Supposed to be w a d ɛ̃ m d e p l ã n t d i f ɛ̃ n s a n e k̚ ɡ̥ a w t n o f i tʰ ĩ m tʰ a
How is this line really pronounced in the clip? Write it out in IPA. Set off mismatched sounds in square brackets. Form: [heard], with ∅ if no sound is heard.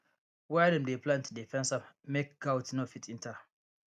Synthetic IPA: w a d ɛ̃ m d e p l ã n t d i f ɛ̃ n s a [m] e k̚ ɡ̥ a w t n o f i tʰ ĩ [n] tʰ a